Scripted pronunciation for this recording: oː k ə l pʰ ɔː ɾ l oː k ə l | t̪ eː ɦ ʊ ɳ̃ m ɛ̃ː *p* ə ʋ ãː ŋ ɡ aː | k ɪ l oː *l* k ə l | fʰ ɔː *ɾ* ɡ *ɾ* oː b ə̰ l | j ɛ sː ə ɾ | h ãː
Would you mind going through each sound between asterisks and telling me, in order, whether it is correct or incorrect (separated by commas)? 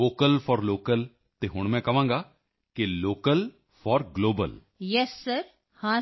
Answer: incorrect, incorrect, correct, incorrect